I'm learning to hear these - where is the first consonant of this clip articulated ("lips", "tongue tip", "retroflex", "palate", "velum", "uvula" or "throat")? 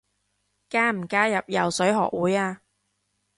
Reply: velum